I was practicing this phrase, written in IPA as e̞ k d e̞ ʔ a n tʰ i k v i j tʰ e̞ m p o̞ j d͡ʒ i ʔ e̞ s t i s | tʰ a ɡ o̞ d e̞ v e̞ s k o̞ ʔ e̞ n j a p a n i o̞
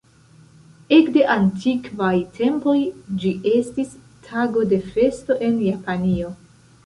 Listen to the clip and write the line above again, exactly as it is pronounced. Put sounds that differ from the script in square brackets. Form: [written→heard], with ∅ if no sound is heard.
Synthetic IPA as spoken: e̞ k d e̞ ʔ a n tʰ i k v [i→a] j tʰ e̞ m p o̞ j d͡ʒ i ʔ e̞ s t i s | tʰ a ɡ o̞ d e̞ [v→f] e̞ s [k→t] o̞ ʔ e̞ n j a p a n i o̞